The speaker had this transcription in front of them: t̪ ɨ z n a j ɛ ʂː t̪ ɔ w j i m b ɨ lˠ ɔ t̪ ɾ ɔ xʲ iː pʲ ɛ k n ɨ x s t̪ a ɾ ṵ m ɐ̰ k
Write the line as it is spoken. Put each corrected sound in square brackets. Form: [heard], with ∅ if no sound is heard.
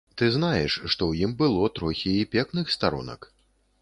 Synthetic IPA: t̪ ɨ z n a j ɛ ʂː t̪ ɔ w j i m b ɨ lˠ ɔ t̪ ɾ ɔ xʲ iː pʲ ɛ k n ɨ x s t̪ a ɾ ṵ [n] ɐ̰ k